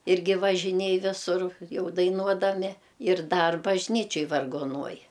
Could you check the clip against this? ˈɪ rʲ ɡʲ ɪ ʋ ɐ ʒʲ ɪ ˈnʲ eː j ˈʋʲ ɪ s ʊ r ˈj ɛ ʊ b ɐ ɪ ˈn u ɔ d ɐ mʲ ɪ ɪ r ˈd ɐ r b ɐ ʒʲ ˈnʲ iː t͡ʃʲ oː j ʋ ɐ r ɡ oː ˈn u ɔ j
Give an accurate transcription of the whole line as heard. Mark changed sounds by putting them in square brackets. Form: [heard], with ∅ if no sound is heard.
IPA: ˈɪ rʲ ɡʲ ɪ ʋ ɐ ʒʲ ɪ ˈnʲ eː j ˈʋʲ ɪ s ʊ r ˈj ɛ ʊ [d] ɐ ɪ ˈn u ɔ d ɐ mʲ ɪ ɪ r ˈd ɐ r b ɐ ʒʲ ˈnʲ iː t͡ʃʲ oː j ʋ ɐ r ɡ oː ˈn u ɔ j